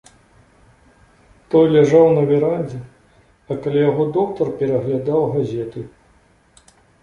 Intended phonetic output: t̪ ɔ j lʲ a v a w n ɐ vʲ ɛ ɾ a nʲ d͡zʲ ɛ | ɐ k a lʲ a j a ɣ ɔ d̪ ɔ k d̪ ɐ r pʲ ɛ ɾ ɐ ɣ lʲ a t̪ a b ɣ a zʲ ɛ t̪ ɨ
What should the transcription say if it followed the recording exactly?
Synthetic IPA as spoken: t̪ ɔ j lʲ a ʐ a w n ɐ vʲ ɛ ɾ a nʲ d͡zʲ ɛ | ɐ k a lʲ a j a ɣ ɔ d̪ ɔ k t̪ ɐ r pʲ ɛ ɾ ɐ ɣ lʲ a d̪ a w ɣ a zʲ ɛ t̪ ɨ